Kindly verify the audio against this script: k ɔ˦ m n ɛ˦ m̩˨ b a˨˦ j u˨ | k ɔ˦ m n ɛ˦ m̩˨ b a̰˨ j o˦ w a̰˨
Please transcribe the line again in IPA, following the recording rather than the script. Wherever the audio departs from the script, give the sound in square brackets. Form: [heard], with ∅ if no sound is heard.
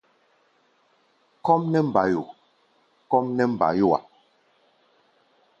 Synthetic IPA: k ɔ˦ m n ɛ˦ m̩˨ b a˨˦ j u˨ | k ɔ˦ m n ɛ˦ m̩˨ b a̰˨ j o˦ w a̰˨